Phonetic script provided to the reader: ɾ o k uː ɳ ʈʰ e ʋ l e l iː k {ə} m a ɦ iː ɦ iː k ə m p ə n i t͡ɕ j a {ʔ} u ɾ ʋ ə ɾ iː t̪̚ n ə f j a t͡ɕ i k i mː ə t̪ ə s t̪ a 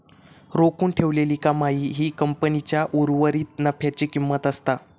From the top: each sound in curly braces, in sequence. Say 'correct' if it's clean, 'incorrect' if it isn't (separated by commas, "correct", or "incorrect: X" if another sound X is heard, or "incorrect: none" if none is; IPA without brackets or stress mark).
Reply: incorrect: a, correct